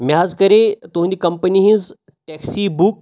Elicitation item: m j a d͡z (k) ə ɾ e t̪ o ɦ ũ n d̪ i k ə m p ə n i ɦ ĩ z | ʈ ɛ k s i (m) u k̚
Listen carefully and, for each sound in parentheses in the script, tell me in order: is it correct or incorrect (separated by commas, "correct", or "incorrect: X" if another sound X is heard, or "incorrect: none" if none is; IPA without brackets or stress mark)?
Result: correct, incorrect: b